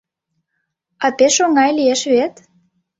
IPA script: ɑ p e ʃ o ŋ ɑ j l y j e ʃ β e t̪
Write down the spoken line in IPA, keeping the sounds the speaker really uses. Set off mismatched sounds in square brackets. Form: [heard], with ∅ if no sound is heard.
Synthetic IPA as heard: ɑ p e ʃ o ŋ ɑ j l [i] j e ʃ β e t̪